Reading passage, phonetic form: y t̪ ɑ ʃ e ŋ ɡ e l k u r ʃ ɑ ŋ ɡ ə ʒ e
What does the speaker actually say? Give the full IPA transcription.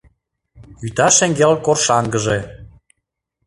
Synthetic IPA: y t̪ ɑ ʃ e ŋ ɡ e l k o r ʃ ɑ ŋ ɡ ə ʒ e